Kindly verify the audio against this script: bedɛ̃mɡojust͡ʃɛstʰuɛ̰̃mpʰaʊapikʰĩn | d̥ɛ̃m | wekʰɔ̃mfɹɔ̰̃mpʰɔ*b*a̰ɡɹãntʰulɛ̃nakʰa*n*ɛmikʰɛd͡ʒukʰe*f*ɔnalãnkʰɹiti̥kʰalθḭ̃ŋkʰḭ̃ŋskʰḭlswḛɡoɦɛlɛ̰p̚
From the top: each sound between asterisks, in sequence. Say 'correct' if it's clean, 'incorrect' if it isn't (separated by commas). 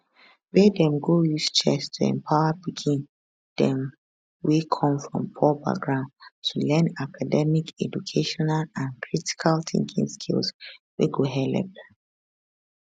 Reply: correct, incorrect, incorrect